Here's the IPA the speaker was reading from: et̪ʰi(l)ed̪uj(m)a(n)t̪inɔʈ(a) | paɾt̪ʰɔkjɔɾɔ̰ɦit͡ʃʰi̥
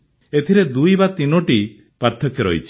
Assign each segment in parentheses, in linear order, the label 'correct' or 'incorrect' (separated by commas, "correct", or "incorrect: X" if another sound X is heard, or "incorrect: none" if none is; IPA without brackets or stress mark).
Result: incorrect: ɾ, incorrect: b, incorrect: none, incorrect: i